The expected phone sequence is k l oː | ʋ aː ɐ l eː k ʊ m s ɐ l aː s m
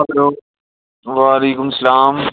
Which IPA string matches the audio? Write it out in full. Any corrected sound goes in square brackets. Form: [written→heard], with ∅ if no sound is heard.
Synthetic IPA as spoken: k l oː | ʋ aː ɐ l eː k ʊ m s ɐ l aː [s→∅] m